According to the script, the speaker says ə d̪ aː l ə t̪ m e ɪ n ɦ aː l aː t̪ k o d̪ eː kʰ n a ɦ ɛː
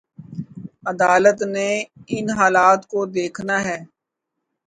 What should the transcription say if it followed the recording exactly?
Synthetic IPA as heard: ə d̪ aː l ə t̪ n e ɪ n ɦ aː l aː t̪ k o d̪ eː kʰ n a ɦ ɛː